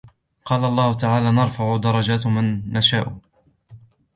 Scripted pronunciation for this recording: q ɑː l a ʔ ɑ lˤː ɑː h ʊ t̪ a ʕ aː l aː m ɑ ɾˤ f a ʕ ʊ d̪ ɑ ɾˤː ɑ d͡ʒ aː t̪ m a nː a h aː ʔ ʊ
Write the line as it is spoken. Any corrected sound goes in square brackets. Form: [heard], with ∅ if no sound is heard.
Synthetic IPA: q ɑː l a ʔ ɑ lˤː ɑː h ʊ t̪ a ʕ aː l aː [n] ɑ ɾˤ f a ʕ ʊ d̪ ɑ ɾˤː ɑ d͡ʒ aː t̪ m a nː a [ʃ] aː ʔ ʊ